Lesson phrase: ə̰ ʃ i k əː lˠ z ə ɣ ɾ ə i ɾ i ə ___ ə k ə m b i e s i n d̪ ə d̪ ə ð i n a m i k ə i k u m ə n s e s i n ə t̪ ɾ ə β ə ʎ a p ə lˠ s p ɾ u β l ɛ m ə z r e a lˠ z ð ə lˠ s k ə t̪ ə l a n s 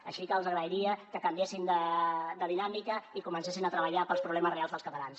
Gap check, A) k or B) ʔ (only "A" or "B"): A